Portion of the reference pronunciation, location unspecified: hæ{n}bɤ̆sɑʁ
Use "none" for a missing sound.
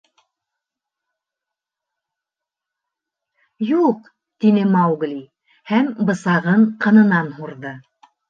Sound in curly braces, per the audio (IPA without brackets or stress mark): m